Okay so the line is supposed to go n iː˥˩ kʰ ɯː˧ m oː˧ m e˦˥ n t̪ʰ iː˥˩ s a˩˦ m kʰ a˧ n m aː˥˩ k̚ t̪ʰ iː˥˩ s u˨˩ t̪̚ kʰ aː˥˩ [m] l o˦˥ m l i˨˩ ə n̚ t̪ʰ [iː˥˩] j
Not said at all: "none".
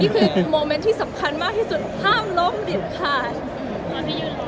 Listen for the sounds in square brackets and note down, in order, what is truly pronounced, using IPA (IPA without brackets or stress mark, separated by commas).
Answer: m, aː˥˩